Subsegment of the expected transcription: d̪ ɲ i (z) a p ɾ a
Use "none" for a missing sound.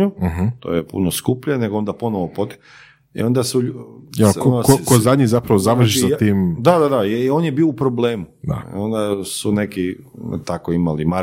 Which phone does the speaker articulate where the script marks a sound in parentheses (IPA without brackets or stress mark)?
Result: z